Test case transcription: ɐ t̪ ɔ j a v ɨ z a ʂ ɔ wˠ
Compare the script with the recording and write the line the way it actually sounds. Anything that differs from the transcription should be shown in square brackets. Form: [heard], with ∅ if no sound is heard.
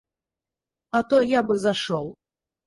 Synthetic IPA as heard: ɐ t̪ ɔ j a [b] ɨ z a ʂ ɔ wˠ

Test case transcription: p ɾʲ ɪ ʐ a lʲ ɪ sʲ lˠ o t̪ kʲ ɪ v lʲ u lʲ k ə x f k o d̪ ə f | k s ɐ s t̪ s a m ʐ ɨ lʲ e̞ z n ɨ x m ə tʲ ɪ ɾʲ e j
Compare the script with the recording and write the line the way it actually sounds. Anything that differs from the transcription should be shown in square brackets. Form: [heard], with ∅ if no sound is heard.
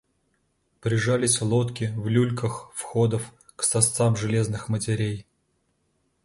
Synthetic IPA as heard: p ɾʲ ɪ ʐ a lʲ ɪ sʲ lˠ o t̪ kʲ ɪ v lʲ u lʲ k ə x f [x] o d̪ ə f | k s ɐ s t̪ s a m ʐ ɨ lʲ e̞ z n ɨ x m ə tʲ ɪ ɾʲ e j

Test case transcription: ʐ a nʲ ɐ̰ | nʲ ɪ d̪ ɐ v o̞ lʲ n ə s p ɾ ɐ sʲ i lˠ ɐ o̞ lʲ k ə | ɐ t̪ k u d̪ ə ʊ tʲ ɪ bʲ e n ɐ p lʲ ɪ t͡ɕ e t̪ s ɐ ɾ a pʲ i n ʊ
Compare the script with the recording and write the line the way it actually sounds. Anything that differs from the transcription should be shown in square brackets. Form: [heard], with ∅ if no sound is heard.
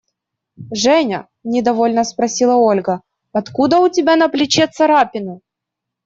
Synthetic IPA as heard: ʐ [ɛ] nʲ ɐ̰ | nʲ ɪ d̪ ɐ v o̞ lʲ n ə s p ɾ ɐ sʲ i lˠ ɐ o̞ lʲ [ɡ] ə | ɐ t̪ k u d̪ ə ʊ tʲ ɪ bʲ [a] n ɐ p lʲ ɪ t͡ɕ e t̪ s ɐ ɾ a pʲ [ɪ] n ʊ

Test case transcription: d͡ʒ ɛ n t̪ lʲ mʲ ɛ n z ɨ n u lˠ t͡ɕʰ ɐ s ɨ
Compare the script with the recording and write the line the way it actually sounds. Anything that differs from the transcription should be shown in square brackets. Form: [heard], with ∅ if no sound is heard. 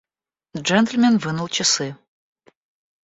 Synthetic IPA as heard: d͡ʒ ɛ n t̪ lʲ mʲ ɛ n [v] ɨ n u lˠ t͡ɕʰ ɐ s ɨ

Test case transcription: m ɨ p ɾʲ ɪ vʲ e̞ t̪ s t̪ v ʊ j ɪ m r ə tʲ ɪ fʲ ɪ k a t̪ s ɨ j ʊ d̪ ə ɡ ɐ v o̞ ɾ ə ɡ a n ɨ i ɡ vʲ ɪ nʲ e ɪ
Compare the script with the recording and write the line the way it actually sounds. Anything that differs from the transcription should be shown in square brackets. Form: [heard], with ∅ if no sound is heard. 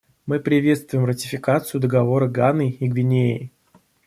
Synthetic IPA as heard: m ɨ p ɾʲ ɪ vʲ e̞ t̪ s t̪ v ʊ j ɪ m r ə tʲ ɪ fʲ ɪ k a t̪ s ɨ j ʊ d̪ ə ɡ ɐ v o̞ ɾ ə ɡ a n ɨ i ɡ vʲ ɪ nʲ e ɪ

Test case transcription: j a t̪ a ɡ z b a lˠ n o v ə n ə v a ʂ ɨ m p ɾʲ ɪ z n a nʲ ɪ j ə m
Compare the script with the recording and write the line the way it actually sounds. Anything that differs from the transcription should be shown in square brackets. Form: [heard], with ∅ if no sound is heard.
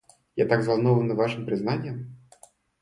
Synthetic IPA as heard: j a t̪ a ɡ z [v] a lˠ n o v ə n ə v a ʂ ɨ m p ɾʲ ɪ z n a nʲ ɪ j ə m

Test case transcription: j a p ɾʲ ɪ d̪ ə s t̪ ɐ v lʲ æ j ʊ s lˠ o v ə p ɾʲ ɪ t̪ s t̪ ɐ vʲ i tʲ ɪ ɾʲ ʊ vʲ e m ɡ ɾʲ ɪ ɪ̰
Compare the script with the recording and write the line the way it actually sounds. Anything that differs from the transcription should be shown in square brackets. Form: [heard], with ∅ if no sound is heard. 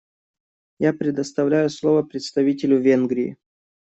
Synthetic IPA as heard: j a p ɾʲ ɪ d̪ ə s t̪ ɐ v lʲ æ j ʊ s lˠ o v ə p ɾʲ ɪ t̪ s t̪ ɐ vʲ i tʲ ɪ [lʲ] ʊ vʲ e [n] ɡ ɾʲ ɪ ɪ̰

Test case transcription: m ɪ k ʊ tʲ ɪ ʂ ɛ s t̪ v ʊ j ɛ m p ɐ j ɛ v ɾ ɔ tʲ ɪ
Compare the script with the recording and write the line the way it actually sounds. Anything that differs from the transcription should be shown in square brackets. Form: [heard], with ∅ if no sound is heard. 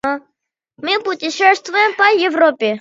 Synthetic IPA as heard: m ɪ [p] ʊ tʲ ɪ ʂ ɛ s t̪ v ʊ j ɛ m p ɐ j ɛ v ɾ ɔ [pʲ] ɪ

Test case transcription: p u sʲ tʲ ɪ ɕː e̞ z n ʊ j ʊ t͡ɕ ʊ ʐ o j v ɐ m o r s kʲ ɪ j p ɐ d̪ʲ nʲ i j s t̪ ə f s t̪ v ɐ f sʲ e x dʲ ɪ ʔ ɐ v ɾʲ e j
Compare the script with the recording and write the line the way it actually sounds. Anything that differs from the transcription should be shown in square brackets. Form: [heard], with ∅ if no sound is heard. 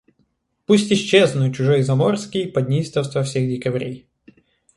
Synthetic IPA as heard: p u sʲ tʲ ɪ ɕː e̞ z n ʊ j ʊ t͡ɕ ʊ ʐ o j [z] ɐ m o r s kʲ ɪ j p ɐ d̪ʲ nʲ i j s t̪ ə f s t̪ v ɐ f sʲ e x dʲ ɪ [k] ɐ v ɾʲ e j

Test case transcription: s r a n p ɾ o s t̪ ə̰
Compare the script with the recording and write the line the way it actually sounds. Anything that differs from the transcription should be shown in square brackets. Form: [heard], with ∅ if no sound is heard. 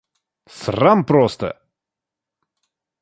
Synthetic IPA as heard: s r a [m] p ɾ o s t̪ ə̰

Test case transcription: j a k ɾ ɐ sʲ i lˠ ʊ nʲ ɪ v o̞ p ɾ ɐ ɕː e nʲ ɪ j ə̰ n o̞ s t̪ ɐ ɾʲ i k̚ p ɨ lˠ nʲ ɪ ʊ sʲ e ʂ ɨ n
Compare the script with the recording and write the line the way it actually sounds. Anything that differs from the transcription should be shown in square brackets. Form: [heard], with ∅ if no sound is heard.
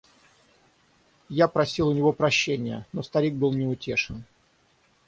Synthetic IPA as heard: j a [p] ɾ ɐ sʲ i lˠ ʊ nʲ ɪ v o̞ p ɾ ɐ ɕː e nʲ ɪ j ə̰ n o̞ s t̪ ɐ ɾʲ i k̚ [b] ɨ lˠ nʲ ɪ ʊ [tʲ] e ʂ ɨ n

